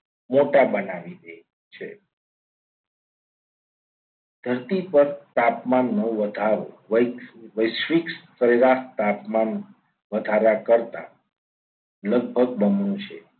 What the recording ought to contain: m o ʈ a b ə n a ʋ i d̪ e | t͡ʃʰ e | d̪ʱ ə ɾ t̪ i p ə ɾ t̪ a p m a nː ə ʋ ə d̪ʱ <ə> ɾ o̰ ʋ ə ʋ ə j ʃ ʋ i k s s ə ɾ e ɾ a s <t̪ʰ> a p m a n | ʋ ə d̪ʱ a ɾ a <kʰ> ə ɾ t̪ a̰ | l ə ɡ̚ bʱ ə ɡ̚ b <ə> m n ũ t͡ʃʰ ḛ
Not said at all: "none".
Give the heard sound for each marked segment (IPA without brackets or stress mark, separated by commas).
a, t̪, k, ə